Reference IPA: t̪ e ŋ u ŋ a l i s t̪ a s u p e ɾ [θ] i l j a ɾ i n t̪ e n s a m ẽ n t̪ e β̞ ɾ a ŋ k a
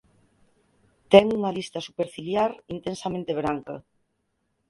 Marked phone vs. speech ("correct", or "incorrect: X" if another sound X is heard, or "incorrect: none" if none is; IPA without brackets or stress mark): incorrect: f